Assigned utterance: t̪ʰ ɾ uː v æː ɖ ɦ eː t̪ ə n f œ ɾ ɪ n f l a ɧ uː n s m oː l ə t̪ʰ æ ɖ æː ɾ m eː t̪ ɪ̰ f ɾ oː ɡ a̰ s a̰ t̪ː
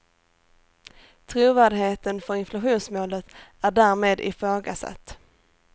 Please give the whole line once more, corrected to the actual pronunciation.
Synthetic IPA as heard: t̪ʰ ɾ uː v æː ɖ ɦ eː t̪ ə n f œ ɾ ɪ n f l a ɧ uː n s m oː l ə t̪ æ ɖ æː ɾ m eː d̪ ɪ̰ f ɾ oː ɡ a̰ s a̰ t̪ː

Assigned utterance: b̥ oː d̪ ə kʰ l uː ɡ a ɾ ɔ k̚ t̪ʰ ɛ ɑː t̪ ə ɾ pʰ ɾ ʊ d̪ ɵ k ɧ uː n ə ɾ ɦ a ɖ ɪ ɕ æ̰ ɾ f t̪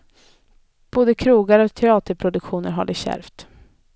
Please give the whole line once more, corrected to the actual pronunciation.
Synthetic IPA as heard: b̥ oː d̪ ə kʰ ɾ uː ɡ a ɾ ɔ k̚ t̪ʰ ɛ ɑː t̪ ə ɾ pʰ ɾ ʊ d̪ ɵ k ɧ uː n ə ɾ ɦ a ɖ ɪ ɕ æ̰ ɾ f t̪

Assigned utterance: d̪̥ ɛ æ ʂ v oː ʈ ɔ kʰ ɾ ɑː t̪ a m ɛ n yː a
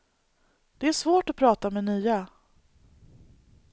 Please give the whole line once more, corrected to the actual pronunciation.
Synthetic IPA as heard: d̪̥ ɛ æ ʂ v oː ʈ ɔ pʰ ɾ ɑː t̪ a m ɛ n yː a

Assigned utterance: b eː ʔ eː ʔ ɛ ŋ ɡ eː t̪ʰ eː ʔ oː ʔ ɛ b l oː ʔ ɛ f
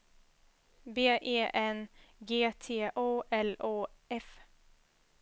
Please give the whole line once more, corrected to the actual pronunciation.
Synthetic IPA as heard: b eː ʔ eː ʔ ɛ n ɡ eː t̪ʰ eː ʔ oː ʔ ɛ l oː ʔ ɛ f

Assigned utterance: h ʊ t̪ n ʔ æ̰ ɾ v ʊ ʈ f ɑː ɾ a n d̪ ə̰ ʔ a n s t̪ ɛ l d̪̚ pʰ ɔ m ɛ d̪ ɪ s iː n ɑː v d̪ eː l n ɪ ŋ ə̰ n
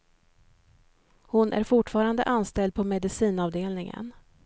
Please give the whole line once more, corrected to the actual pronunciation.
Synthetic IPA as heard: h ʊ n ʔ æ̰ ɾ f ʊ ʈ f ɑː ɾ a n d̪ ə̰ ʔ a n s t̪ ɛ l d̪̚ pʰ ɔ m ɛ d̪ ɪ s iː n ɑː v d̪ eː l n ɪ ŋ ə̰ n

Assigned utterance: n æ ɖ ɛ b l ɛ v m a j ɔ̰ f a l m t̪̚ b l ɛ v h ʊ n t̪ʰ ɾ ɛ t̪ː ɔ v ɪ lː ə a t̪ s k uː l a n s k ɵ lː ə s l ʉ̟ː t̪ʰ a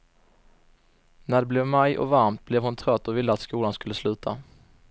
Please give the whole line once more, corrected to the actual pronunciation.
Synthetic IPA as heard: n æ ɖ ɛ b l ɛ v m a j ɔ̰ v a ɾ m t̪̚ b l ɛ v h ʊ n t̪ʰ ɾ œ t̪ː ɔ v ɪ lː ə a t̪ s k uː l a n s k ɵ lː ə s l ʉ̟ː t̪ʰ a

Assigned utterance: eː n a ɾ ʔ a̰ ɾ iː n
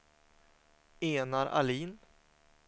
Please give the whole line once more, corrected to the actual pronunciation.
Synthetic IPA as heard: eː n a ɾ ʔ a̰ l iː n

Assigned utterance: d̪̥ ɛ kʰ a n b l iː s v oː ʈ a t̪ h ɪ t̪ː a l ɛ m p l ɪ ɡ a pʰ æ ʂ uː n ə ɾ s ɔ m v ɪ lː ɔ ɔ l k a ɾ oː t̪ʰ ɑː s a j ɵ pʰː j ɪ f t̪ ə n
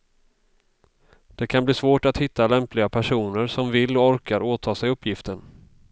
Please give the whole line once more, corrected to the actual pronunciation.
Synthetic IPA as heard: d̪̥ ɛ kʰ a n b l iː s v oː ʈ a t̪ h ɪ t̪ː a l ɛ m p l ɪ ɡ a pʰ æ ʂ uː n ə ɾ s ɔ m v ɪ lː ɔ ɔ ɾ k a ɾ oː t̪ʰ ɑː s ɛ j ɵ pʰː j ɪ f t̪ ə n

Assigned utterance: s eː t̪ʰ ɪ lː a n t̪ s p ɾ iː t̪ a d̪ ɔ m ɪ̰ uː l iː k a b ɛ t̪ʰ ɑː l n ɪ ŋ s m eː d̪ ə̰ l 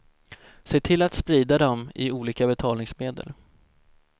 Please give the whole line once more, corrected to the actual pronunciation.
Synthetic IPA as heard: s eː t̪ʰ ɪ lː a t̪ s p ɾ iː d̪ a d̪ ɔ m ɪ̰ uː l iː k a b ɛ t̪ʰ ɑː l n ɪ ŋ s m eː d̪ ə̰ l

